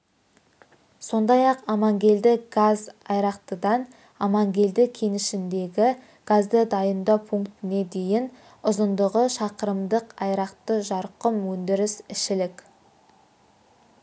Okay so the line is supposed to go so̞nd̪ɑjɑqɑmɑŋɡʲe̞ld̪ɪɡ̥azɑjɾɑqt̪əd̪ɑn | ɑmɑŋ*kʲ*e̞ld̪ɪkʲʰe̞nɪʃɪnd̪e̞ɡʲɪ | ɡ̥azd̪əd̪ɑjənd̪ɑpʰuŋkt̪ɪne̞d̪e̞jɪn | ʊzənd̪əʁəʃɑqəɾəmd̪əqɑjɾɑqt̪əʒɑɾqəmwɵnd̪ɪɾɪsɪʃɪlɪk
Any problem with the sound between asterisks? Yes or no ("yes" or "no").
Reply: yes